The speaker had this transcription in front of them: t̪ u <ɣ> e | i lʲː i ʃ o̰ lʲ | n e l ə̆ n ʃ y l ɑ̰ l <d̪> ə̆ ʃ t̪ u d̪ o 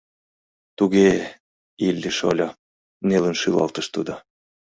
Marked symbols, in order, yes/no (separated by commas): yes, no